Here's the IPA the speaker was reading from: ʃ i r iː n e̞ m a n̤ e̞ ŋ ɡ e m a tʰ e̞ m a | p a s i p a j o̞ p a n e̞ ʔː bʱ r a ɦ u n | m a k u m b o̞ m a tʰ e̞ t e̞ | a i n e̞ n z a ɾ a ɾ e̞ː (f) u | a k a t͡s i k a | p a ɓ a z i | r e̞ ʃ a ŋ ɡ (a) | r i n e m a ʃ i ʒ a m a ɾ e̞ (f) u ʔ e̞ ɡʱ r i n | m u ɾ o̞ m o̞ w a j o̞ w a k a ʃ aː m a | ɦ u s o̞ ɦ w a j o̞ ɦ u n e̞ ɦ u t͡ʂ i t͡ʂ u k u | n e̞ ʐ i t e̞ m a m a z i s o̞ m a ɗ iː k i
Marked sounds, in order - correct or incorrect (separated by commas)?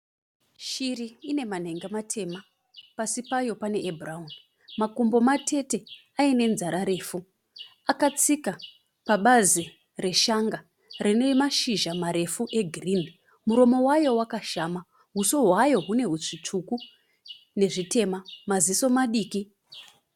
correct, correct, correct